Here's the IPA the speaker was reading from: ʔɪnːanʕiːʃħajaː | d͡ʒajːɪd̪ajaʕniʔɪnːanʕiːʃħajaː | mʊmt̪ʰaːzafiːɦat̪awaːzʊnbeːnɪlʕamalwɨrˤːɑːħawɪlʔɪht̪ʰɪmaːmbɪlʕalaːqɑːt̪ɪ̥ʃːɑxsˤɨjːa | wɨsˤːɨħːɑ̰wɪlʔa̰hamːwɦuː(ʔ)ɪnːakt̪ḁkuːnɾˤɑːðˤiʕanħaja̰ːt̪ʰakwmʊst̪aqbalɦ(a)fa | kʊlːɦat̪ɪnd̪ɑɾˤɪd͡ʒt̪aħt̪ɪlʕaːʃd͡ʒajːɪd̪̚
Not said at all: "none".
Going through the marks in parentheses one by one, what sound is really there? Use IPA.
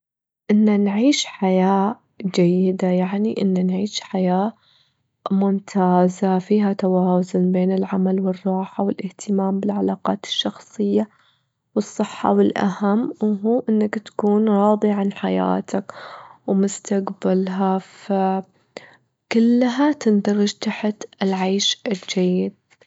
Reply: ʔ, a

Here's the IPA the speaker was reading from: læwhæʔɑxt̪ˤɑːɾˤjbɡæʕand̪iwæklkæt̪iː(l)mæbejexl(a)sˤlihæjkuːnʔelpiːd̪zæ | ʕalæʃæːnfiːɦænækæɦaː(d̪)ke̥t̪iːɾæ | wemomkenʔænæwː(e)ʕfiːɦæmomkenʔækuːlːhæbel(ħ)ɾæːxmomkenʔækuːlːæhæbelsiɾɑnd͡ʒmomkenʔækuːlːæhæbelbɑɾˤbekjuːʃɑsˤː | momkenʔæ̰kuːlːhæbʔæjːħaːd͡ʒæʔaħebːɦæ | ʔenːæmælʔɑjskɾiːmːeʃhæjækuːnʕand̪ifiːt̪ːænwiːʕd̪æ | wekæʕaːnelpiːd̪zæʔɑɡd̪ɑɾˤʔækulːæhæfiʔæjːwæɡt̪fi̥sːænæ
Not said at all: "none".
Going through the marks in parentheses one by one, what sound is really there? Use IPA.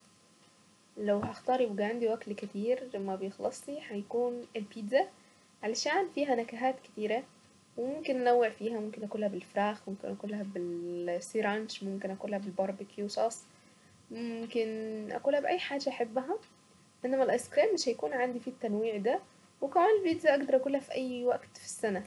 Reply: ɾ, ɑ, t̪, e, f

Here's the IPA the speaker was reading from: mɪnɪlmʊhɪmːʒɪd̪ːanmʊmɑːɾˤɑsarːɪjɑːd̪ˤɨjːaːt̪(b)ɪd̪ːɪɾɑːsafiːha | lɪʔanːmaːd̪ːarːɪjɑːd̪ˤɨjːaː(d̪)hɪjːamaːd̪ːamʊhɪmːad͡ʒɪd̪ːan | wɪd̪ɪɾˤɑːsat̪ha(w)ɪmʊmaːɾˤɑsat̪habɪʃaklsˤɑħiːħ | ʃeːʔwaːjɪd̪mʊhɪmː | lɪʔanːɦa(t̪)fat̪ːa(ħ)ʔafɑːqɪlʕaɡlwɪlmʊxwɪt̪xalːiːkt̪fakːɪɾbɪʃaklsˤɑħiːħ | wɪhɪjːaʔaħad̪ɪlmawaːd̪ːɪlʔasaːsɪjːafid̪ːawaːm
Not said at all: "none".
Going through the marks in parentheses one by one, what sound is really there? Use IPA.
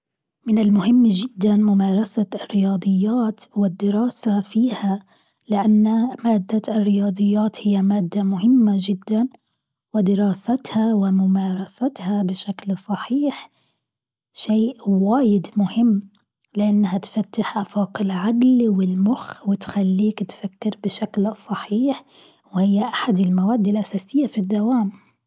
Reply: w, t̪, w, t̪, ħ

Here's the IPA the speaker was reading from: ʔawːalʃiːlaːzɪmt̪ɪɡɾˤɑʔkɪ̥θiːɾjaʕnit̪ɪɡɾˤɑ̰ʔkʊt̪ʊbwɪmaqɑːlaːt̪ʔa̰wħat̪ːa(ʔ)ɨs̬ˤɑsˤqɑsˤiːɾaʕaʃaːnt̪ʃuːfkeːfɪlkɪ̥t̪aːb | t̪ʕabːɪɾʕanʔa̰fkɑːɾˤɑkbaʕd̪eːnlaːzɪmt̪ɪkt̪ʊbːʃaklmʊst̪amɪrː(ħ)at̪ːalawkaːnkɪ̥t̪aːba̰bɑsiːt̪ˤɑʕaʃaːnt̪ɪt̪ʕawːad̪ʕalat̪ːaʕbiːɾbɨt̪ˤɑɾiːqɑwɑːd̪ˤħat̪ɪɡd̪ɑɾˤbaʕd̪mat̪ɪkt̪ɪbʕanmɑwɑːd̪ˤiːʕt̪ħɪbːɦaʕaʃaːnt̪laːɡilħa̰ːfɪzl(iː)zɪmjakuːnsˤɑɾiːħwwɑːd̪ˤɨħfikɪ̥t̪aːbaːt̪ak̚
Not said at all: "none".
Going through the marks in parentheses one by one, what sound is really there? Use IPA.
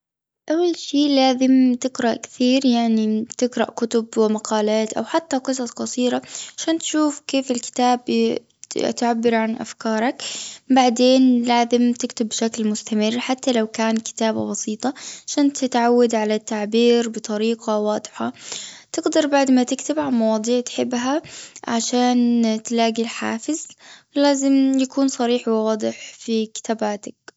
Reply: q, ħ, aː

